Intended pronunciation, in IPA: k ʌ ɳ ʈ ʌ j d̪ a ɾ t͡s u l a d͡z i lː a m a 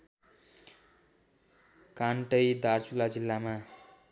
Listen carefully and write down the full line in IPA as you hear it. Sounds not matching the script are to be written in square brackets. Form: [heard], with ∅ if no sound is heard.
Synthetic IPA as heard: k [a] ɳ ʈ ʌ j d̪ a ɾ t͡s u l a d͡z i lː a m a